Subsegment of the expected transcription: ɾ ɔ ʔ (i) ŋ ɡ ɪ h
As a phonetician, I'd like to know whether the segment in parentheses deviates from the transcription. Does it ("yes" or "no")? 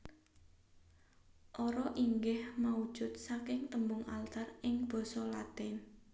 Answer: no